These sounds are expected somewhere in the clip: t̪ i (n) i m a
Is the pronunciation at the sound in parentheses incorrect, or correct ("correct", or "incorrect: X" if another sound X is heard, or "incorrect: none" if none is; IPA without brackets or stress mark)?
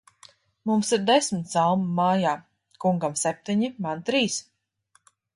incorrect: ɲ